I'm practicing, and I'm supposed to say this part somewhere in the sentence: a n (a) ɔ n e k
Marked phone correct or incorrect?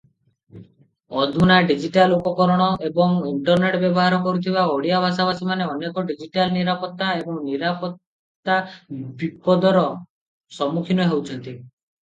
incorrect